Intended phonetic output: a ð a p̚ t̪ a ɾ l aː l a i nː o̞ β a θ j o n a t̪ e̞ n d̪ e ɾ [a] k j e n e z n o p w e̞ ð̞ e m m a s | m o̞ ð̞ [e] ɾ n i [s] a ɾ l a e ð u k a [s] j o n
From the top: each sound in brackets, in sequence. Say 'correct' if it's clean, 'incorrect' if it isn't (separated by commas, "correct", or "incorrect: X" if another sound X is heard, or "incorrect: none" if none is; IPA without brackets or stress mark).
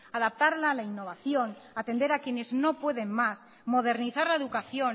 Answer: correct, correct, incorrect: θ, incorrect: θ